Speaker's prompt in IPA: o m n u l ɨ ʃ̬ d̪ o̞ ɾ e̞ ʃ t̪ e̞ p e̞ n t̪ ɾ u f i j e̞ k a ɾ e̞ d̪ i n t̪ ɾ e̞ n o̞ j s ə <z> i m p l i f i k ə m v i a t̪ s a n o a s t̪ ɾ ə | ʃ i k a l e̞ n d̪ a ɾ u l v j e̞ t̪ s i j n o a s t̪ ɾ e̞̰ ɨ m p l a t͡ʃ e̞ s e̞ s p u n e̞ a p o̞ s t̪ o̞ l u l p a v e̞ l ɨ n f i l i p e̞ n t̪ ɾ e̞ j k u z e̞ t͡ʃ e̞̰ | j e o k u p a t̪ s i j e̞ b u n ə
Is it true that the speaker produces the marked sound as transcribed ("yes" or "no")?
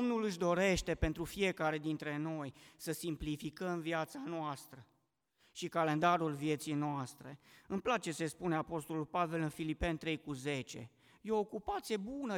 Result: no